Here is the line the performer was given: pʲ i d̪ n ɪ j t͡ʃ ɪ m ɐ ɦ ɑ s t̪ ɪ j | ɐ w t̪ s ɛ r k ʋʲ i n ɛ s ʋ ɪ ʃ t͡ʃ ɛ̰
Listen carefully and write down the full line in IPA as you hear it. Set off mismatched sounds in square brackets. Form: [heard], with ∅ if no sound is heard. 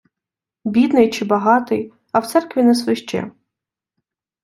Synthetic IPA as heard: [bʲ] i d̪ n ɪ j t͡ʃ ɪ [b] ɐ ɦ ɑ [∅] t̪ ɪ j | ɐ w t̪ s ɛ r k ʋʲ i n ɛ s ʋ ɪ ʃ t͡ʃ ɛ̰